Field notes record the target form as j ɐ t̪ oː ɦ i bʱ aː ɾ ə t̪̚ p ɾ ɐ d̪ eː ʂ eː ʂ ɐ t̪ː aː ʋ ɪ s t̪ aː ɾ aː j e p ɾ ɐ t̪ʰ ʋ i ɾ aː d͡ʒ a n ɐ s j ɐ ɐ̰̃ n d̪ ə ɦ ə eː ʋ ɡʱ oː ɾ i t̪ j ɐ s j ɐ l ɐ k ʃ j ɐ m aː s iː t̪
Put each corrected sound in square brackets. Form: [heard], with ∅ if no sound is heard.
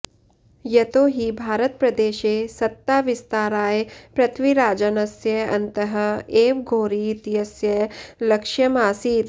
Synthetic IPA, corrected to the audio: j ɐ t̪ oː ɦ i bʱ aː ɾ ə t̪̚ p ɾ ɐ d̪ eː [ʃ] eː [s] ɐ t̪ː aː ʋ ɪ s t̪ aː ɾ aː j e p ɾ ɐ t̪ʰ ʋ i ɾ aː d͡ʒ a n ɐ s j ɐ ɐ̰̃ n [t̪] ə ɦ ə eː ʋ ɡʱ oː ɾ i t̪ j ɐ s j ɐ l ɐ k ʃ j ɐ m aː s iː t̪